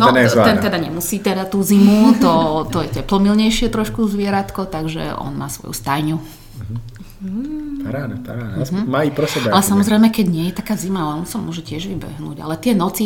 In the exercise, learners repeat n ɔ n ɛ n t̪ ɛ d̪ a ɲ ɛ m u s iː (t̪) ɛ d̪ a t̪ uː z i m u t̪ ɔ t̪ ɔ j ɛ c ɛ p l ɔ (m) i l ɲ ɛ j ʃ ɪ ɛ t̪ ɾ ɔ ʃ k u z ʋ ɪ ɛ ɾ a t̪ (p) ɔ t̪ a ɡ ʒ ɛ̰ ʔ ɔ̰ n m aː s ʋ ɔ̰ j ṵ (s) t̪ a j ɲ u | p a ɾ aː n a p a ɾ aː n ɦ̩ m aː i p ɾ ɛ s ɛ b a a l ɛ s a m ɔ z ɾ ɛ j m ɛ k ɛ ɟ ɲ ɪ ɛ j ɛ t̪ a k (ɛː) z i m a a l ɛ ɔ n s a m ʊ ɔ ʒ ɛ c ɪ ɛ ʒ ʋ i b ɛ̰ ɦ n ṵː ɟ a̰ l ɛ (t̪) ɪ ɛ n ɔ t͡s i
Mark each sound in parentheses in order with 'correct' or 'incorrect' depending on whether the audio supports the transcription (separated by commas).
correct, correct, incorrect, correct, incorrect, correct